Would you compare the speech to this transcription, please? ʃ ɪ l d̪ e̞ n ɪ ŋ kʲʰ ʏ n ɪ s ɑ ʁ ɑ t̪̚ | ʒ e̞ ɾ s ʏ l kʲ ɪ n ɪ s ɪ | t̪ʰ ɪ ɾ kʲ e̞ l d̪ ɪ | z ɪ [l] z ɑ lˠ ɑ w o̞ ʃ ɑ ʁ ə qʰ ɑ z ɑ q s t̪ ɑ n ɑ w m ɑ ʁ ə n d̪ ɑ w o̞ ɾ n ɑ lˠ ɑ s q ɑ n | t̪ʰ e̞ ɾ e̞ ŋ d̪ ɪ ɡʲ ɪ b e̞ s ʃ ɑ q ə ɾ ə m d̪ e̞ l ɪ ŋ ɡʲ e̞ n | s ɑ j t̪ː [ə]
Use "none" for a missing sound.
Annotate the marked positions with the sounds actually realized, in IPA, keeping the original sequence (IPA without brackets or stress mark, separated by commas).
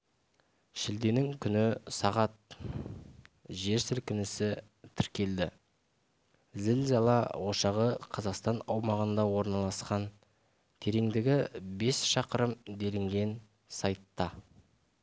l, ɑ